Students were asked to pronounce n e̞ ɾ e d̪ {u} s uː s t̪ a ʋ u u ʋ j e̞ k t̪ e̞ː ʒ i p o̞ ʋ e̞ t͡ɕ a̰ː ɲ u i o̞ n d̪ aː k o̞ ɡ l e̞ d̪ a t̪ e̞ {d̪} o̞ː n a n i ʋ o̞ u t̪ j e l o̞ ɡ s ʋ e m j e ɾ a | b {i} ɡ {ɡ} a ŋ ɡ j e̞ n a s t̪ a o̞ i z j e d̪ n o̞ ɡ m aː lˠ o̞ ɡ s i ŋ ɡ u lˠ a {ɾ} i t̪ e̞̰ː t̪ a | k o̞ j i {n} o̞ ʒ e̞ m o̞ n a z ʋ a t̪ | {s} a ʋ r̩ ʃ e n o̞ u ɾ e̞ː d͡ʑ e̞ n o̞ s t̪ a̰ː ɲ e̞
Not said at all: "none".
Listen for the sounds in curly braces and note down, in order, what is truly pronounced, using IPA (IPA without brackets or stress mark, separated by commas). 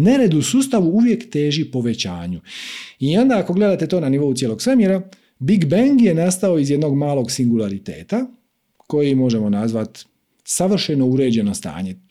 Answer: u, t̪, i, b, ɾ, m, s